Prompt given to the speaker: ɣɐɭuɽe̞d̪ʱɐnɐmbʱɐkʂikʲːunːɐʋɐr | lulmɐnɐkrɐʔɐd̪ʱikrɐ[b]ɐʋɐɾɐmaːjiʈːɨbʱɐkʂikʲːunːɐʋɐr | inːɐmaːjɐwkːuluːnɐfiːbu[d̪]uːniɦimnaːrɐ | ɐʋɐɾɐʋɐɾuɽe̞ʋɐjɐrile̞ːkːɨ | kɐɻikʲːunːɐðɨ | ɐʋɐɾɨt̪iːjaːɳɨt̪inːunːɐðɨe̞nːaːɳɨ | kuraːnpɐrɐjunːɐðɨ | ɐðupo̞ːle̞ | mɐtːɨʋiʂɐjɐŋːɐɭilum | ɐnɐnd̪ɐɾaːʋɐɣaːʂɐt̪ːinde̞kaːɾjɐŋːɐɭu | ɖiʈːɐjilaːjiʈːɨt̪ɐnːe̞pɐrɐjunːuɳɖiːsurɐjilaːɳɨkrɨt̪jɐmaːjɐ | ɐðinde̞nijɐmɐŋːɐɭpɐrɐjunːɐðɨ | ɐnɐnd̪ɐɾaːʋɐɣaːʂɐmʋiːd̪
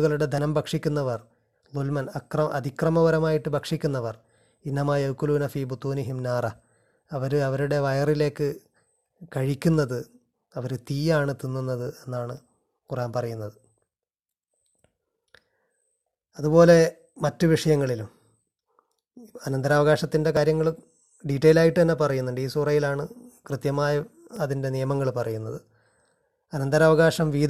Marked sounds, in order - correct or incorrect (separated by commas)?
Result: incorrect, incorrect